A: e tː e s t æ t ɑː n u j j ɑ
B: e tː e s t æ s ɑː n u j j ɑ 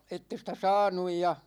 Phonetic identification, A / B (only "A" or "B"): B